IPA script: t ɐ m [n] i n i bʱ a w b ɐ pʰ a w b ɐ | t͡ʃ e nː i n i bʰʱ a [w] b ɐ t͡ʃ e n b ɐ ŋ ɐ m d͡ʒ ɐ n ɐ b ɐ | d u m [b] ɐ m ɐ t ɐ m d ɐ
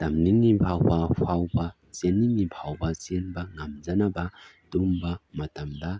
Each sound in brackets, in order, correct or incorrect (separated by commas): correct, correct, correct